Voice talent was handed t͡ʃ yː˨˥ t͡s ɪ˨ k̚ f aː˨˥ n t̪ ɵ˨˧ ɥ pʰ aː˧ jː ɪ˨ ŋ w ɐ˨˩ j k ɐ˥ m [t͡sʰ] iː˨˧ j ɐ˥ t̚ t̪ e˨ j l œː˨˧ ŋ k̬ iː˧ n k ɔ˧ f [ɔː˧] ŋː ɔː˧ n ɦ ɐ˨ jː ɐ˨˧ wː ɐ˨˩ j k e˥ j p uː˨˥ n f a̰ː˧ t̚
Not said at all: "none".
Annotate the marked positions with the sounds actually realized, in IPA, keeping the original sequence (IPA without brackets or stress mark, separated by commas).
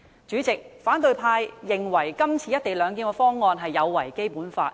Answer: t͡sʰ, ɔː˥